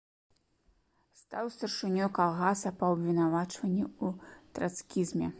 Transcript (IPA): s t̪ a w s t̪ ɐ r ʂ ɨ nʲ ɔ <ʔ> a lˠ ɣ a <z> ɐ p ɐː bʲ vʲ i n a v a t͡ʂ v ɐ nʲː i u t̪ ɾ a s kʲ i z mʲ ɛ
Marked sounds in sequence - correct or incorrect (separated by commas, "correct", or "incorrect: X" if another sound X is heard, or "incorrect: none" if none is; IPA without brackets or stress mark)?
incorrect: k, incorrect: s